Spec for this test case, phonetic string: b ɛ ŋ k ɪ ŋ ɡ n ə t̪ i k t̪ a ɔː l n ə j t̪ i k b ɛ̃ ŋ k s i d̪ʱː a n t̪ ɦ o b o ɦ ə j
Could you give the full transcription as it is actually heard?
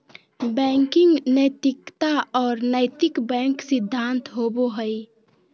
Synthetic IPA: b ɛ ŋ k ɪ ŋ ɡ n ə t̪ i k t̪ a ɔː ɾ n ə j t̪ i k b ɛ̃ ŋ k s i d̪ʱː a n t̪ ɦ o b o ɦ ə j